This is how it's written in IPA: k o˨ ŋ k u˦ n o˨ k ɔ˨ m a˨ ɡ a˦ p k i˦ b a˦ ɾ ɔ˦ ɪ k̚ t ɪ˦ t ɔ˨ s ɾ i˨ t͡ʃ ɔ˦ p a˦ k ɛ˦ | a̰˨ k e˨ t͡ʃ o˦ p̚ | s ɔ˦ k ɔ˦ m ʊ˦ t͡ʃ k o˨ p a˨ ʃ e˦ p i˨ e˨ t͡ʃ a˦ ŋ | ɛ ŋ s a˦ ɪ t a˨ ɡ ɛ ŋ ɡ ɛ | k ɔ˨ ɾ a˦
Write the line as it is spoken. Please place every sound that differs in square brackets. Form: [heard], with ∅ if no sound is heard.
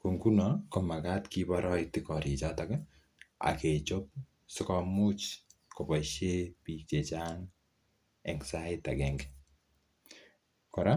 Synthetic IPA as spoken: k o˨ ŋ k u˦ n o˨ k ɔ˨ m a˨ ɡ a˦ [t] k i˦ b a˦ ɾ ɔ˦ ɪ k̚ t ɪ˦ [k] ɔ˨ [∅] ɾ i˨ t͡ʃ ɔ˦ [t] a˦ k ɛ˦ | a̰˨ k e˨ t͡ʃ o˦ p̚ | s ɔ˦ k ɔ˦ m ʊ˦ t͡ʃ k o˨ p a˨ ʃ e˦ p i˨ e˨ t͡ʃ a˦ ŋ | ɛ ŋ s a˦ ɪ t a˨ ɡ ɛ ŋ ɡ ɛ | k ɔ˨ ɾ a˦